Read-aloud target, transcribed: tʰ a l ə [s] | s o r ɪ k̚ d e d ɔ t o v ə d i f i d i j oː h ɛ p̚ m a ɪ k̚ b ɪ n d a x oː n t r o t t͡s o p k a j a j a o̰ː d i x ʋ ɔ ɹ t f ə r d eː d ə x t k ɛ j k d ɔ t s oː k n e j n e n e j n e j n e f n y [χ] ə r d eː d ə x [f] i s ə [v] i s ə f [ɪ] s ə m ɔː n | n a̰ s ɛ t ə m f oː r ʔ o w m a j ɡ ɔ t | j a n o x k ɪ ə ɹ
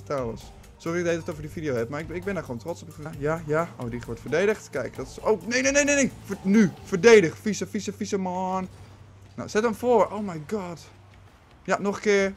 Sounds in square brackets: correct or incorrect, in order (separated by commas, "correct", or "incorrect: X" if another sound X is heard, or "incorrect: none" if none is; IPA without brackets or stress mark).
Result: correct, incorrect: f, correct, incorrect: f, incorrect: i